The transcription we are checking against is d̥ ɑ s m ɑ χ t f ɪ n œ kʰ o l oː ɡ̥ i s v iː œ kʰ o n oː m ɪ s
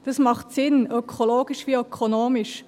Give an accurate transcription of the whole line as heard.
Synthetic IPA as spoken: d̥ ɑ s m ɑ χ t s ɪ n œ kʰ o l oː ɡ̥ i ʃ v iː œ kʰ o n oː m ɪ ʃ